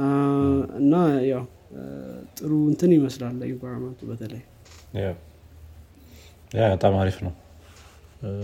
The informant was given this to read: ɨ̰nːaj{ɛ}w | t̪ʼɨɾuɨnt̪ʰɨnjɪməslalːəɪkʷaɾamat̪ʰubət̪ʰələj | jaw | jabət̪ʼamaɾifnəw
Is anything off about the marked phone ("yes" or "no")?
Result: yes